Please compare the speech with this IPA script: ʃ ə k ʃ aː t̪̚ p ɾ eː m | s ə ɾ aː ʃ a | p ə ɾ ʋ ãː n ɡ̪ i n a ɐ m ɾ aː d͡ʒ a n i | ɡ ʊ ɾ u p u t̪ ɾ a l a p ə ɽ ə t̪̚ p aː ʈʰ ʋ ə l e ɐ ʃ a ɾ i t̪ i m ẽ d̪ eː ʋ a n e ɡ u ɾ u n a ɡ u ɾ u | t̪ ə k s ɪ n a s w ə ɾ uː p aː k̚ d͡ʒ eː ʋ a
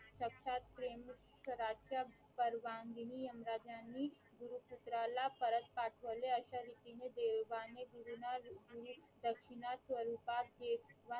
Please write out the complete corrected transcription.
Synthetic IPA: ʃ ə k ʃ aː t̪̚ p ɾ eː m | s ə ɾ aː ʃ a | p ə ɾ ʋ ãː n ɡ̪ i n i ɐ m ɾ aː d͡ʒ a n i | ɡ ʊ ɾ u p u t̪ ɾ a l a p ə ɾ ə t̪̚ p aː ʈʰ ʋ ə l e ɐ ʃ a ɾ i t̪ i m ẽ d̪ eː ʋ a n e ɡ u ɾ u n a ɡ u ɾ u | d̪ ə k ʃ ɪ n a s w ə ɾ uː p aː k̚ d͡ʒ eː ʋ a